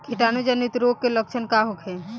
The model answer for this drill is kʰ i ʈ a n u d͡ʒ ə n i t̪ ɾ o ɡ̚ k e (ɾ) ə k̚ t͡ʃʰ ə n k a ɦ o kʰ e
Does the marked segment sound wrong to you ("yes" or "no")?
yes